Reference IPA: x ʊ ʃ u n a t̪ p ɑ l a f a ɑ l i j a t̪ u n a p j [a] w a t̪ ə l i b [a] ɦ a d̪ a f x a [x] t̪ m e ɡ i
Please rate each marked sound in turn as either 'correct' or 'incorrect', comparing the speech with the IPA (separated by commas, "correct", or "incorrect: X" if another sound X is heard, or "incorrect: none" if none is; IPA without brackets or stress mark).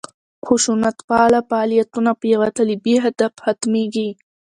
correct, incorrect: i, incorrect: none